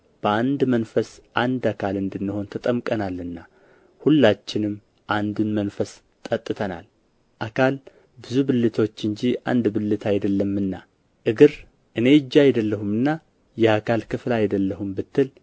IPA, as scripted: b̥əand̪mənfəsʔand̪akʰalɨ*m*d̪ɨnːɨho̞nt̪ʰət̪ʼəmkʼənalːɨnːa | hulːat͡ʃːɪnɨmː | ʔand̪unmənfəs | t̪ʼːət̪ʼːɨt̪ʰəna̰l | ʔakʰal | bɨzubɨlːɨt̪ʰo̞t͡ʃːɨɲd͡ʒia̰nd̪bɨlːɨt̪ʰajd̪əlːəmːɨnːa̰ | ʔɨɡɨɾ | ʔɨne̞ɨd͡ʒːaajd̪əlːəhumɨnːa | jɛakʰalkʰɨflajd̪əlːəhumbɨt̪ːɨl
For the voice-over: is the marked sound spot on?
no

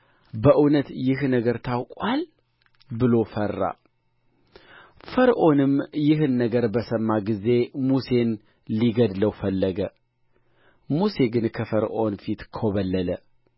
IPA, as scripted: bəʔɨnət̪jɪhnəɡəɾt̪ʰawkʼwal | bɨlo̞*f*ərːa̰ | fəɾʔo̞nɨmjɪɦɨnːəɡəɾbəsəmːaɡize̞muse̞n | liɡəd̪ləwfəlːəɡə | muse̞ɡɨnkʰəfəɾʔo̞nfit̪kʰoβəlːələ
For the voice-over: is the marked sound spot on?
yes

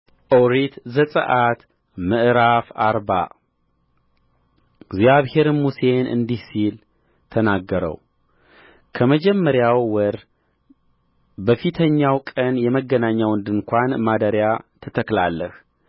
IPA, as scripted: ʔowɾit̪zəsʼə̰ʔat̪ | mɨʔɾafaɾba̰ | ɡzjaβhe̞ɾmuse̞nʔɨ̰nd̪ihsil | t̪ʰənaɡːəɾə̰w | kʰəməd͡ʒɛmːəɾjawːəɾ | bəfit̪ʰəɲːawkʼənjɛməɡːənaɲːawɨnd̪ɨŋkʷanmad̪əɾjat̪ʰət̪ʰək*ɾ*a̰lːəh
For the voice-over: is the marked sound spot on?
no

